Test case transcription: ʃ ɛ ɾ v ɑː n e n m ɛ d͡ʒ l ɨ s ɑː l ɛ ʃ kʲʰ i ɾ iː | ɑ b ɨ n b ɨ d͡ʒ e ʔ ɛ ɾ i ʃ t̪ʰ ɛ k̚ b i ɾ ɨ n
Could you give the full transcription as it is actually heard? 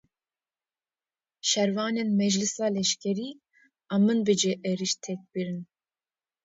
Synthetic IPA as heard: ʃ ɛ ɾ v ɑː n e n m ɛ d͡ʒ l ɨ s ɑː l ɛ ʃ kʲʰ ɛ ɾ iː | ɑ m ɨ n b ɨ d͡ʒ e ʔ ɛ ɾ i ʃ t̪ʰ ɛ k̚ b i ɾ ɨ n